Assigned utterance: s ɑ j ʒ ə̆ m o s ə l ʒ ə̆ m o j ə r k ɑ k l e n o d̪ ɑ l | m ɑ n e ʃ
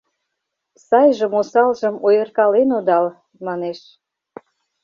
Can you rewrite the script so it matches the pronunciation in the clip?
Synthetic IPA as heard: s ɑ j ʒ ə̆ m o s ɑ l ʒ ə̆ m o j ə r k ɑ l e n o d̪ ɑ l | m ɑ n e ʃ

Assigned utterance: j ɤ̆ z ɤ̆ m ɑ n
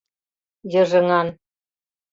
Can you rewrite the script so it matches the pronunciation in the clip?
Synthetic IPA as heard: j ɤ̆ ʒ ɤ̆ ŋ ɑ n

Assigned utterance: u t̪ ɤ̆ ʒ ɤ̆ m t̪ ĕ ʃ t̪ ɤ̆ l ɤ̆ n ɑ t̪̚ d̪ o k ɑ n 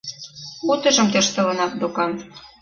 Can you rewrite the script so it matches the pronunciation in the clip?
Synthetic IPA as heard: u t̪ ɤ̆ ʒ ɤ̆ m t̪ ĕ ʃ t̪ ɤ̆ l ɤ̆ n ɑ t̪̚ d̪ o k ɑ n

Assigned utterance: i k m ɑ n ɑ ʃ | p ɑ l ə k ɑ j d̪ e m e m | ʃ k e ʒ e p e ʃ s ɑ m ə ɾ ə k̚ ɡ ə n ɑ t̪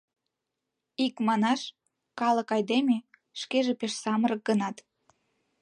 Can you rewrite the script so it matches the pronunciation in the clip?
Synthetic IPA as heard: i k m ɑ n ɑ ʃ | k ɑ l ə k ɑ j d̪ e m e | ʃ k e ʒ e p e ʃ s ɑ m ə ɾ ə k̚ ɡ ə n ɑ t̪

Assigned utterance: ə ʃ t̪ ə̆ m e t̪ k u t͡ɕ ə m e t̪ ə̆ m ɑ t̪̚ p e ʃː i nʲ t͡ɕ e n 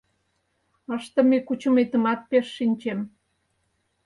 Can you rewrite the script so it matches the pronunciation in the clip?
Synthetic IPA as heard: ə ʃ t̪ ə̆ m e k u t͡ɕ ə m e t̪ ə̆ m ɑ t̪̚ p e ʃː i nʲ t͡ɕ e m

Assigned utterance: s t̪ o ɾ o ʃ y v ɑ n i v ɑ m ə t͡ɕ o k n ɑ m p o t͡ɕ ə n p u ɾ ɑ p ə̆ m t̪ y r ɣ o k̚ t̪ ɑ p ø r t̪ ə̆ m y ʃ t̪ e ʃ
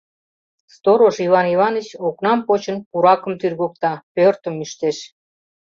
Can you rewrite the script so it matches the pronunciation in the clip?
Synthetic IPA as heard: s t̪ o ɾ o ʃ i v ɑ n i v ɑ n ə t͡ɕ o k n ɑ m p o t͡ɕ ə n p u ɾ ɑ k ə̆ m t̪ y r ɣ o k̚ t̪ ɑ p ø r t̪ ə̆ m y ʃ t̪ e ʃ

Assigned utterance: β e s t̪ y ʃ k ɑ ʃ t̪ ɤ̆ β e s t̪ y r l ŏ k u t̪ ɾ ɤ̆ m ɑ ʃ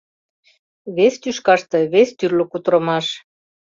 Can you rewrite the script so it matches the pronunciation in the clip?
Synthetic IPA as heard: β e s t̪ y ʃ k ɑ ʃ t̪ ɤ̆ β e s t̪ y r l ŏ k u t̪ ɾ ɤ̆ m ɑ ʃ

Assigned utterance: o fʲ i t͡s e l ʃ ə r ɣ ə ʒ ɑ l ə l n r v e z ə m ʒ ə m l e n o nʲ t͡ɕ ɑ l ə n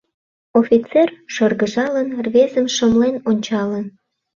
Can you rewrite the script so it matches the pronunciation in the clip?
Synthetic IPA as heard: o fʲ i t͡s e r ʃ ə r ɣ ə ʒ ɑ l ə n r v e z ə m ʃ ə m l e n o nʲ t͡ɕ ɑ l ə n

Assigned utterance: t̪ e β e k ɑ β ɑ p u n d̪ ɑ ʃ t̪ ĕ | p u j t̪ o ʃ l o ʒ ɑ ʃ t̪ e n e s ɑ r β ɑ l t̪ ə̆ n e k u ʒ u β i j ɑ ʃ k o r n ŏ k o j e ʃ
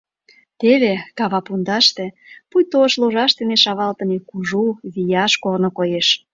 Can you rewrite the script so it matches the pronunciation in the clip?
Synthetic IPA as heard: t̪ e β e k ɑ β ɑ p u n d̪ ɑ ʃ t̪ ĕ | p u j t̪ o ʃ l o ʒ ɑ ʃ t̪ e n e ʃ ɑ β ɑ l t̪ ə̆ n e k u ʒ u β i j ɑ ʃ k o r n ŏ k o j e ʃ

